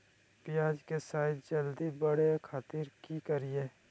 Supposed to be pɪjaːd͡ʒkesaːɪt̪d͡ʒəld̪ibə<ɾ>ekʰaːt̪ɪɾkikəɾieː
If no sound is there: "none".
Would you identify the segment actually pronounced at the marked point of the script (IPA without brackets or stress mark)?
ɽ